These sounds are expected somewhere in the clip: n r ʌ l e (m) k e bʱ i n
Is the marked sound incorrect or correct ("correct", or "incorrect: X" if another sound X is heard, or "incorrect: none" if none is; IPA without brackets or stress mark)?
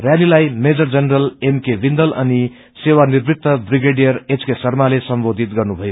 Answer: correct